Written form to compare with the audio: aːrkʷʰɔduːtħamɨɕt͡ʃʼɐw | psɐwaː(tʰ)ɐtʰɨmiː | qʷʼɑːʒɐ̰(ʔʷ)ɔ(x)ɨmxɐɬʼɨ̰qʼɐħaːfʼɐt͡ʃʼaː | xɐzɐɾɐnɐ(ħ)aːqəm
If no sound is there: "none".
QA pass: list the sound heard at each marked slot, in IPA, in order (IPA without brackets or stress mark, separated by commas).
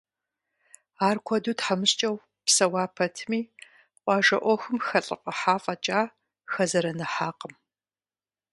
pʰ, ʔʷ, x, ħ